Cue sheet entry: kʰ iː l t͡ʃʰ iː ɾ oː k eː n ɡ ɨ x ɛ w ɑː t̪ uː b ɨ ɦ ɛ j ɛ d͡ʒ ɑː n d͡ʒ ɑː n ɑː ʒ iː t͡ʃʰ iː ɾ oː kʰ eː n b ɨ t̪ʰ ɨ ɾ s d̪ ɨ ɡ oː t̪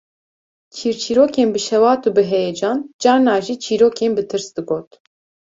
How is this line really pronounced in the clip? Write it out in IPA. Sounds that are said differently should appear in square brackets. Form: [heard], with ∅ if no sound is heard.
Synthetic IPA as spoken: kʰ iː [ɾ] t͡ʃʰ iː ɾ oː k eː n [b] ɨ [ʃ] ɛ w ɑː t̪ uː b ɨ ɦ ɛ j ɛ d͡ʒ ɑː n d͡ʒ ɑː n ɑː ʒ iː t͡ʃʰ iː ɾ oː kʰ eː n b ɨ t̪ʰ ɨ ɾ s d̪ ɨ ɡ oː t̪